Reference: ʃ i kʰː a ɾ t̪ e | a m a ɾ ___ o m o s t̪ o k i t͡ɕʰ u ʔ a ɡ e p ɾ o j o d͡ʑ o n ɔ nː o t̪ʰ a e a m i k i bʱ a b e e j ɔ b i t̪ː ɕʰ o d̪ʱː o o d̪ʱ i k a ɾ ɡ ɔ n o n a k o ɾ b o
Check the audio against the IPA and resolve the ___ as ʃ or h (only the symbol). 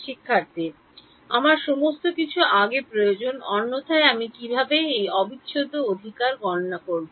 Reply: ʃ